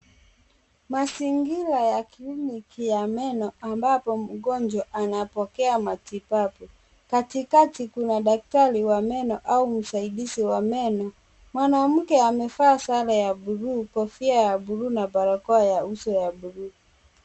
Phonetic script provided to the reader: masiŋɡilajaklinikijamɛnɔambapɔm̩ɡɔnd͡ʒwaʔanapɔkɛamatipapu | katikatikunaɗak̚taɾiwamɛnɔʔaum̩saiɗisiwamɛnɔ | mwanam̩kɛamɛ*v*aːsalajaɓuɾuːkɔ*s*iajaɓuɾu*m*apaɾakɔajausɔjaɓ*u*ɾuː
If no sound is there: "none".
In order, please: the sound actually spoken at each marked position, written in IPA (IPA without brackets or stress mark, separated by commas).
f, f, n, u